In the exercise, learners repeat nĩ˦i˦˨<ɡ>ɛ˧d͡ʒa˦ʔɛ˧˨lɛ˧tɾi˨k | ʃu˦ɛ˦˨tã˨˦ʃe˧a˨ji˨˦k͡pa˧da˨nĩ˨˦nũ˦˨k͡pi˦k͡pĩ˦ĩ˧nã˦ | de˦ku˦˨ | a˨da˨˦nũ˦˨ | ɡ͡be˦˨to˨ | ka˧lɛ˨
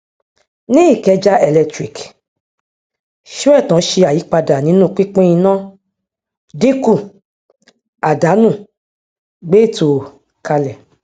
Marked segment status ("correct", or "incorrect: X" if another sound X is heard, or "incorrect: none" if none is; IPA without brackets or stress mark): incorrect: k